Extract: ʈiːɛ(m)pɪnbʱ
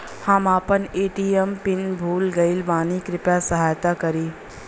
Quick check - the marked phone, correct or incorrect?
correct